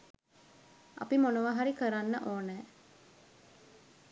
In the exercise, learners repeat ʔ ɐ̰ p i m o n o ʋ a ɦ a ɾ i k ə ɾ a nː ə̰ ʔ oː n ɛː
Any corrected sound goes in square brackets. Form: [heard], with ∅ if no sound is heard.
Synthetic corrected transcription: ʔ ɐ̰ p i m o n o ʋ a ɦ a ɾ i k ə ɾ a nː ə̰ ʔ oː n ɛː

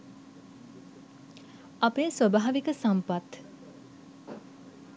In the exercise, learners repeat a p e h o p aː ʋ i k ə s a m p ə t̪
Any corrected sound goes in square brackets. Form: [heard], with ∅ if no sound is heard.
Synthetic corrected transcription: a p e [s] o [b] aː ʋ i k ə s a m p [a] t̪

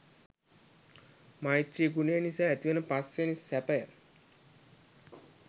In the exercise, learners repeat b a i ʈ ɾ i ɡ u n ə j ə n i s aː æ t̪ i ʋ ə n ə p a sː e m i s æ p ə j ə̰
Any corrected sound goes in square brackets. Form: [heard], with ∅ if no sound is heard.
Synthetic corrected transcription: [m] a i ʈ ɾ i ɡ u n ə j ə n i s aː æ t̪ i ʋ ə n ə p a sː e [n] i s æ p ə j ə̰

